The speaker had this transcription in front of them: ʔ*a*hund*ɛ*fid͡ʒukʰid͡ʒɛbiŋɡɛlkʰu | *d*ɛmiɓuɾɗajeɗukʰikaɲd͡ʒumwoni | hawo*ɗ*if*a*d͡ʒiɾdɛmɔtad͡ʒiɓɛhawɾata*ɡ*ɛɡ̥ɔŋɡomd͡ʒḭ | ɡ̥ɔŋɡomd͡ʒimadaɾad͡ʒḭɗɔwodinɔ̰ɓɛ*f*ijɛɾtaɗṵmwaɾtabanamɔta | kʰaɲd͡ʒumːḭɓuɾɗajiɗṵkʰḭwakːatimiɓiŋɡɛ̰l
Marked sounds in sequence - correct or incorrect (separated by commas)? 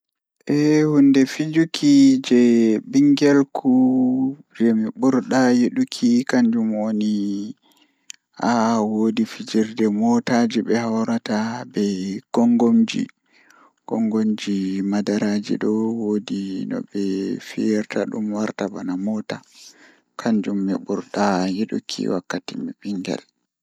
incorrect, correct, incorrect, incorrect, incorrect, incorrect, correct